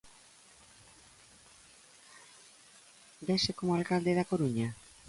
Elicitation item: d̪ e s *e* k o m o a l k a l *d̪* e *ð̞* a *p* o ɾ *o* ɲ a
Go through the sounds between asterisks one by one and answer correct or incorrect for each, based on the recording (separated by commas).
correct, correct, correct, incorrect, incorrect